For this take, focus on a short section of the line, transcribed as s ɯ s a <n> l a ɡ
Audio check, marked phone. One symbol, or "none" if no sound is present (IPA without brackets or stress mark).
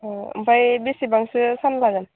n